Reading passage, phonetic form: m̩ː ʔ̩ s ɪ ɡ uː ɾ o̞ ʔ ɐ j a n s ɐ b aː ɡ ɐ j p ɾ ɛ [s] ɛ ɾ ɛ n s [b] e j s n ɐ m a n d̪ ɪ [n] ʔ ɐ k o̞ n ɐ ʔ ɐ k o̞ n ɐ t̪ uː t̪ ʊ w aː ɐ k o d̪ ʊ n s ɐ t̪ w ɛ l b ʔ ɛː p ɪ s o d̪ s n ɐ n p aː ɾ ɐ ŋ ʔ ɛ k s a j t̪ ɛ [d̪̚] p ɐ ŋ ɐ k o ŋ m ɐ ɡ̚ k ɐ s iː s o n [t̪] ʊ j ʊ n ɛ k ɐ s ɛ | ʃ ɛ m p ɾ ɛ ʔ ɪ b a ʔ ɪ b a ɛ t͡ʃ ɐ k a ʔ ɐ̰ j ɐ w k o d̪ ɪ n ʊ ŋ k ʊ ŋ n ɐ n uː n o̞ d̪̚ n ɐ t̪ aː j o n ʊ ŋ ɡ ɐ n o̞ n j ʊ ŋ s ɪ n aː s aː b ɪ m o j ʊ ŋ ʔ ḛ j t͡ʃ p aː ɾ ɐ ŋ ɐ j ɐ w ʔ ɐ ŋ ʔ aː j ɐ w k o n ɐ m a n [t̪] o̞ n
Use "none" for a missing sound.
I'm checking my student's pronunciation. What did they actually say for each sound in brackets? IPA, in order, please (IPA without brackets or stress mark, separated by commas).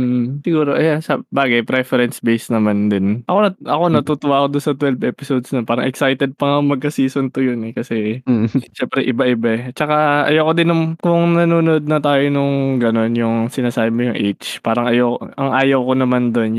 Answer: f, b, n, d̪̚, t̪, d̪